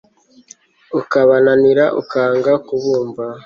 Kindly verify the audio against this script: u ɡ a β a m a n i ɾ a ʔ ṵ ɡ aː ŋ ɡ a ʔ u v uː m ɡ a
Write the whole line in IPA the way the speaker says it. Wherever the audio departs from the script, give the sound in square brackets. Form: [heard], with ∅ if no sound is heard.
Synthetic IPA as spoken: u [k] a β a [n] a n i ɾ a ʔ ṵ [k] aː ŋ ɡ a [k] u [β] uː m [b] a

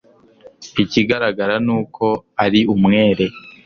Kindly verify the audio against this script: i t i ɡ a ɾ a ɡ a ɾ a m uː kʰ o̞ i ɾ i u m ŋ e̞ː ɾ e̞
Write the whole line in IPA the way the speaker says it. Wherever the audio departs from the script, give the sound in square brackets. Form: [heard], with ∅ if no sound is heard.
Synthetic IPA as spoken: i [c] i ɡ a ɾ a ɡ a ɾ a [n] uː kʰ o̞ [a] ɾ i u m ŋ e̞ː ɾ e̞

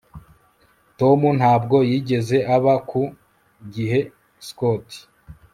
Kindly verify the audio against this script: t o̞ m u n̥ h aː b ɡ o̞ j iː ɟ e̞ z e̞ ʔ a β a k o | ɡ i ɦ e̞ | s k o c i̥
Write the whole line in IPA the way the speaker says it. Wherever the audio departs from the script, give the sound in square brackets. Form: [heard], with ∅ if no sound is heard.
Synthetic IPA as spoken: t o̞ m u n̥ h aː b ɡ o̞ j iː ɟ e̞ z e̞ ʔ a β a k [u] | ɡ i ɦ e̞ | s k o [t] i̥

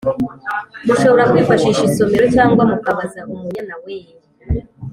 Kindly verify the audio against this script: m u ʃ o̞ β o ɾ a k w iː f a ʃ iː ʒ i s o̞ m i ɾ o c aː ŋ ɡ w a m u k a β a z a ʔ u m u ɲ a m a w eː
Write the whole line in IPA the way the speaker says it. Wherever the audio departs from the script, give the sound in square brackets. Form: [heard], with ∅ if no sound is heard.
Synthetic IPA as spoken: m u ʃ o̞ β o ɾ a k w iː f a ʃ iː [ʃ] i s o̞ m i ɾ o c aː ŋ ɡ w a m u k a β a z a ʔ u m u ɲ a [n] a w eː

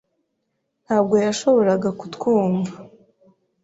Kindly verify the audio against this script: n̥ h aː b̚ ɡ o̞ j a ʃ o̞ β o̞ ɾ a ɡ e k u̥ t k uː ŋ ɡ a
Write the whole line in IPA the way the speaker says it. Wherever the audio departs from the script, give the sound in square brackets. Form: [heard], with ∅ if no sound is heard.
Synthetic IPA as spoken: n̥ h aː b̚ ɡ o̞ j a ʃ o̞ β o̞ ɾ a ɡ [a] k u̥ t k uː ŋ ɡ a

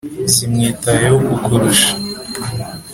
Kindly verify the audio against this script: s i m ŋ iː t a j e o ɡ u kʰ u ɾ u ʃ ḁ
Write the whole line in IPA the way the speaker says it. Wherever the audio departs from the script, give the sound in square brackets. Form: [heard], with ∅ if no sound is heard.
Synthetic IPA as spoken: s i m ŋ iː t a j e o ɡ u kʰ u ɾ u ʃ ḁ

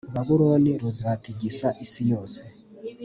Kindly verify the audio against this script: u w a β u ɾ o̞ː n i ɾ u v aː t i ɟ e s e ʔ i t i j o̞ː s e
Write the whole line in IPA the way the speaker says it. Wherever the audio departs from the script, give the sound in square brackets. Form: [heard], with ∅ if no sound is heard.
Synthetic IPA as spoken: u [β] a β u ɾ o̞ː n i ɾ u [z] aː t i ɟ [i] s [a] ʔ i [s] i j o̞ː s e

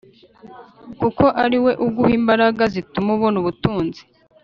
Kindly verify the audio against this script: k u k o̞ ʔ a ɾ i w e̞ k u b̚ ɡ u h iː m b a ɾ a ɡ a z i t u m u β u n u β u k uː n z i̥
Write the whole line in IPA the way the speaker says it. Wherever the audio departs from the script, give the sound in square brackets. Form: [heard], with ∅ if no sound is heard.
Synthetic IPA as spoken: k u k o̞ ʔ a ɾ i w e̞ [ʔ] u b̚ ɡ u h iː m b a ɾ a ɡ a z i t u m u β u n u β u [t] uː n z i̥

